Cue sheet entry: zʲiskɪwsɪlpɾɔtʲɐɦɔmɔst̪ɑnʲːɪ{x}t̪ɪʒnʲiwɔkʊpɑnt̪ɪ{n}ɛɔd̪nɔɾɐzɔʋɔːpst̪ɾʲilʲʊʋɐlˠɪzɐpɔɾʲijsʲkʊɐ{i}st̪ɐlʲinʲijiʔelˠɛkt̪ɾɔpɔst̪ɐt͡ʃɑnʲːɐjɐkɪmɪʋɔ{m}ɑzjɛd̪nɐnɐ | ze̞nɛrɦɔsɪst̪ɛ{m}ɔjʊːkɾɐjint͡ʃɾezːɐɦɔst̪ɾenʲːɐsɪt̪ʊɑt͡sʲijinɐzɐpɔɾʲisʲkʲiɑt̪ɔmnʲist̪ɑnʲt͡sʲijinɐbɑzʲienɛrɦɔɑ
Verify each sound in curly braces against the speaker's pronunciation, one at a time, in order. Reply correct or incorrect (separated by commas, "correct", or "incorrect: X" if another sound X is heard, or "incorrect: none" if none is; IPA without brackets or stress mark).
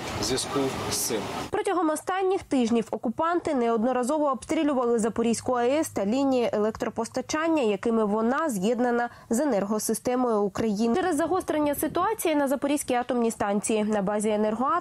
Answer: correct, correct, incorrect: ɛ, incorrect: n, correct